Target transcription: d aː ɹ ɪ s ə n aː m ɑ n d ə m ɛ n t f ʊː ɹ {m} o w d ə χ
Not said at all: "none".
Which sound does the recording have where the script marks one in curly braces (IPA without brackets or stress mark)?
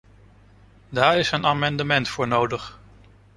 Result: n